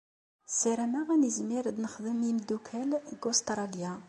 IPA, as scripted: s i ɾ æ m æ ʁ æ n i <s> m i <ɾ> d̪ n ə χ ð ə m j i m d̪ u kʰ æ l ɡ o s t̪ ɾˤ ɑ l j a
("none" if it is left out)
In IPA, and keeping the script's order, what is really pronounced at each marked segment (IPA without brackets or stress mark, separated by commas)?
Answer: z, ɾ